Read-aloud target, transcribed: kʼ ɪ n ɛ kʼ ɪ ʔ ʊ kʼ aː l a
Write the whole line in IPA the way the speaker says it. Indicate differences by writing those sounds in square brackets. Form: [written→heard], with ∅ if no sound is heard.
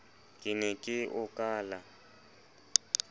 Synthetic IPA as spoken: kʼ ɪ n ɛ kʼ ɪ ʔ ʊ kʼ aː l a